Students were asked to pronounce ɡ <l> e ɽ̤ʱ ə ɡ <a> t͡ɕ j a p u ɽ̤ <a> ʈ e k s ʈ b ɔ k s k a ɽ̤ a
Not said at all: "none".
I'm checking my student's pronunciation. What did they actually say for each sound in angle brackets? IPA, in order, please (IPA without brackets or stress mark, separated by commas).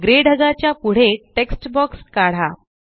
ɾ, a, e